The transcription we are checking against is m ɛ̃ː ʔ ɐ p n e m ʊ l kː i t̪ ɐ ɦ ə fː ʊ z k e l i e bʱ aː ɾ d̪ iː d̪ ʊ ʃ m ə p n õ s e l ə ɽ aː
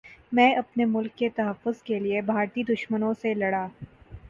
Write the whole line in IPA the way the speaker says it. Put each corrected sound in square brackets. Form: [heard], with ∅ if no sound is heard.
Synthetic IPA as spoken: m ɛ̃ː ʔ ɐ p n e m ʊ l kː [e] t̪ ɐ ɦ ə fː ʊ z k e l i e bʱ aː ɾ [t̪] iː d̪ ʊ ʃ m ə [∅] n õ s e l [ɐ] ɽ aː

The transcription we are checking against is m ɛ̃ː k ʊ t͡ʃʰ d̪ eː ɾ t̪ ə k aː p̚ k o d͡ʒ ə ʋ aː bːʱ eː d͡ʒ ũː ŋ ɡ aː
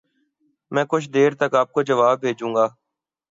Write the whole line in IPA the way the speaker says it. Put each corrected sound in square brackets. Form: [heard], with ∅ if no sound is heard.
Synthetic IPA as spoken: m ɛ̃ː k ʊ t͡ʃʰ d̪ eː ɾ t̪ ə k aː p̚ k o d͡ʒ ə ʋ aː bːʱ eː d͡ʒ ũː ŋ ɡ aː

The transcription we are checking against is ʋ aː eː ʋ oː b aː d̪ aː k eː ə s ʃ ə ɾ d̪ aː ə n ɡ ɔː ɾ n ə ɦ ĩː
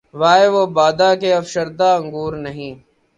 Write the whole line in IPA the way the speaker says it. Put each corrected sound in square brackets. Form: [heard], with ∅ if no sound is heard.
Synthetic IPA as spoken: ʋ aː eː ʋ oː b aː d̪ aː k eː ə [f] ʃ ə ɾ d̪ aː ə [ŋ] ɡ [uː] ɾ n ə ɦ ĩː

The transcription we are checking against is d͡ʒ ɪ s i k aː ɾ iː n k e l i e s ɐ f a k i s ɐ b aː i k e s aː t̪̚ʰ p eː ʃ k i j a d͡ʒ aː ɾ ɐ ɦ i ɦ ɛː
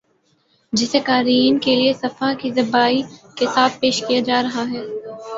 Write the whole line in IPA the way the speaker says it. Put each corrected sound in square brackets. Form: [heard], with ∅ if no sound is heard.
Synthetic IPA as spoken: d͡ʒ ɪ s [e] k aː ɾ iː n k e l i e s ɐ f a k i [z] ɐ b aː i k e s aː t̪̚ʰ p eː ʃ k i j a d͡ʒ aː ɾ ɐ ɦ [a] ɦ ɛː

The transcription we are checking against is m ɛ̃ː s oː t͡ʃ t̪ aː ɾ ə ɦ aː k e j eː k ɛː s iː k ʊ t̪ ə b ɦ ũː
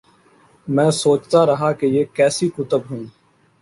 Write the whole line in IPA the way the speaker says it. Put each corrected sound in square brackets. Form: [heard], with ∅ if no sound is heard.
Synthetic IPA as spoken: m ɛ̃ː s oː t͡ʃ t̪ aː ɾ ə ɦ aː k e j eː k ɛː s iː k ʊ t̪ ə b ɦ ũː

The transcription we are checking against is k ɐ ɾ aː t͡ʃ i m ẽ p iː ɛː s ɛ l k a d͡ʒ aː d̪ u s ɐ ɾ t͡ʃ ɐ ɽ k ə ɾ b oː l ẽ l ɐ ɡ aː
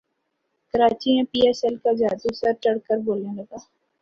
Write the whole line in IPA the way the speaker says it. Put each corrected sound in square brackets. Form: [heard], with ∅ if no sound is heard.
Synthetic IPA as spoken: k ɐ ɾ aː t͡ʃ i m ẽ p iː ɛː s ɛ l k a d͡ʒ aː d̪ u s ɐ ɾ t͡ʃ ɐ ɽ k ə ɾ b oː l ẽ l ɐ ɡ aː

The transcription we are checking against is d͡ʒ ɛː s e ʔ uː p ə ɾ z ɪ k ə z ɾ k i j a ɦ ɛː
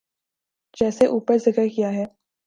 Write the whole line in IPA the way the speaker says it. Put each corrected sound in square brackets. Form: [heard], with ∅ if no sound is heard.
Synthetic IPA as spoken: d͡ʒ ɛː s e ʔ uː p ə ɾ z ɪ k ə [∅] ɾ k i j a ɦ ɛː

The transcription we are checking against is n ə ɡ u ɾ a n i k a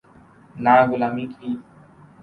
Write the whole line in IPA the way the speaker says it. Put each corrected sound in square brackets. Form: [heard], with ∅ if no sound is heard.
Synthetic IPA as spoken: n [a] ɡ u [l] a [m] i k [i]

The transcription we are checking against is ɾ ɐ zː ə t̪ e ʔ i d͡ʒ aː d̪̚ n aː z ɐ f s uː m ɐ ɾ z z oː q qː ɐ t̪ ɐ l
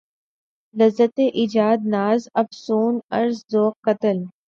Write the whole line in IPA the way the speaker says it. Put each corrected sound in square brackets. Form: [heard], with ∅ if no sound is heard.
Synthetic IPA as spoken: [l] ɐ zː ə t̪ e ʔ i d͡ʒ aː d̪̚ n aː z ɐ f s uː [n] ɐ ɾ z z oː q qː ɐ t̪ [ə] l

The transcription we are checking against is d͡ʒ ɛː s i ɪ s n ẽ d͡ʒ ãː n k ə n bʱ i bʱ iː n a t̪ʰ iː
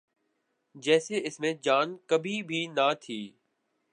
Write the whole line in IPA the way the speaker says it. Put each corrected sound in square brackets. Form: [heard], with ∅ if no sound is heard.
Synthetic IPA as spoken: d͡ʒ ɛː s [e] ɪ s [m] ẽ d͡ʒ [aː] n k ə [∅] bʱ i bʱ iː n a t̪ʰ iː

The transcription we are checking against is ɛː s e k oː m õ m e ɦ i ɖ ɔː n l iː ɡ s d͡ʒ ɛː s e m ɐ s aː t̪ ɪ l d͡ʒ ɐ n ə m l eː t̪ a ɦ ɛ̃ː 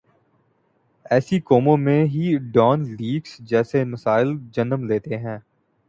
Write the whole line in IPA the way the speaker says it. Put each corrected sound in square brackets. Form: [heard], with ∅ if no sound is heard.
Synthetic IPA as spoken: ɛː s [i] k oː m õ m [ẽ] ɦ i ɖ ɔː n l iː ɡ s d͡ʒ ɛː s e m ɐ s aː [∅] ɪ l d͡ʒ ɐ n ə m l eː t̪ [e] ɦ ɛ̃ː

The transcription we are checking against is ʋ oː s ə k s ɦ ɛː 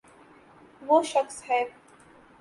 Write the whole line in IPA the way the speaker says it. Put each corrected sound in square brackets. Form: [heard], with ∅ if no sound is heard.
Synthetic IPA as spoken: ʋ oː [ʃ] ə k s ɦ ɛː

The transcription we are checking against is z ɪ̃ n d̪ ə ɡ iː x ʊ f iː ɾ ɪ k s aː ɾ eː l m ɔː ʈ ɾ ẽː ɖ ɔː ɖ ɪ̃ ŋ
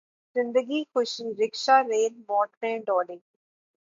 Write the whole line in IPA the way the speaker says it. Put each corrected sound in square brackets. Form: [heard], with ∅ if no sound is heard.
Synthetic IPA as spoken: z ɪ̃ n d̪ ə ɡ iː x ʊ [ʃ] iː ɾ ɪ k [ʃ] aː ɾ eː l m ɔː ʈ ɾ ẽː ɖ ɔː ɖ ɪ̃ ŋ

